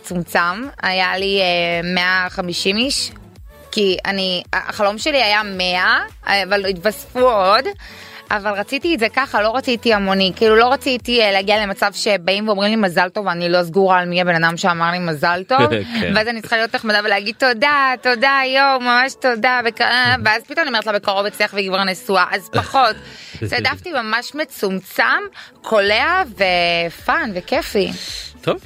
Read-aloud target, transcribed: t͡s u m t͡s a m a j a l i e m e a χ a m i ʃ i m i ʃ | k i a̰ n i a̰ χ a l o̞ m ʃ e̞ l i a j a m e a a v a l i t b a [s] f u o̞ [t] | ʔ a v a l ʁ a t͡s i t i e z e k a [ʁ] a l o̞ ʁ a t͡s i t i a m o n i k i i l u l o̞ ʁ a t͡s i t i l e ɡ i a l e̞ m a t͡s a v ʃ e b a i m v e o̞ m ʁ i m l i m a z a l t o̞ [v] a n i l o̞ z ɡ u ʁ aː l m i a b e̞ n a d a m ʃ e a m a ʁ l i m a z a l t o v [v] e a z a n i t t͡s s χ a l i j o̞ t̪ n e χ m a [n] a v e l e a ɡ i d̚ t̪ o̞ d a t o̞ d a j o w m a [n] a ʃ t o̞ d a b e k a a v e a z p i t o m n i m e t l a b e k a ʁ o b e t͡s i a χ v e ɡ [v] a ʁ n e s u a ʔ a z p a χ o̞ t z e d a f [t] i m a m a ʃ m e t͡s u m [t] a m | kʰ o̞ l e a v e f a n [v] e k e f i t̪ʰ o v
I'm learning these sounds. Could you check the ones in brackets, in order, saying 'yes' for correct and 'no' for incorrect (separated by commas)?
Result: yes, no, no, yes, yes, no, no, yes, yes, no, yes